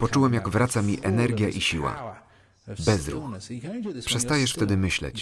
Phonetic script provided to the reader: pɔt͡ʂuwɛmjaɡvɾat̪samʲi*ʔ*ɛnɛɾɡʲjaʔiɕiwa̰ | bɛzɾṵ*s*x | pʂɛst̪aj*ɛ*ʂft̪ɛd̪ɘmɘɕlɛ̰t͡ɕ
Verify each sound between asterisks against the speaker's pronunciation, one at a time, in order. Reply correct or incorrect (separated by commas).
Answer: correct, incorrect, correct